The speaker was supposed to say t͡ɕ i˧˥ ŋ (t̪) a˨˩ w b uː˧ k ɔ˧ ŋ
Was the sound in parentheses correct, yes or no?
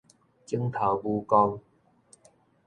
no